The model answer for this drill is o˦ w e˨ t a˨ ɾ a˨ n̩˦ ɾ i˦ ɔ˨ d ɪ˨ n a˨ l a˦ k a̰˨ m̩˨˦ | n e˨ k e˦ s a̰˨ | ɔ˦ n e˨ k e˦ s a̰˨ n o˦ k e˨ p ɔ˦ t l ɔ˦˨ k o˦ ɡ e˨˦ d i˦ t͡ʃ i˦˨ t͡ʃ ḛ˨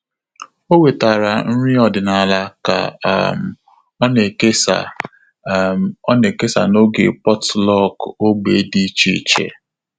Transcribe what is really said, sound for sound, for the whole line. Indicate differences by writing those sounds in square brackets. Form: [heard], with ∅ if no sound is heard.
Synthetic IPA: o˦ w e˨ t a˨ ɾ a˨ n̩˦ ɾ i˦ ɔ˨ d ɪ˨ n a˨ l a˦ k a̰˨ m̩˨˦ | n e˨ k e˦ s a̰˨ | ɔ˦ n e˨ k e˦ s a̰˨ n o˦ [ɡ] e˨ p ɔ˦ t l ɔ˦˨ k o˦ [ɡ͡b] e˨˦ d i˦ t͡ʃ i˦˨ t͡ʃ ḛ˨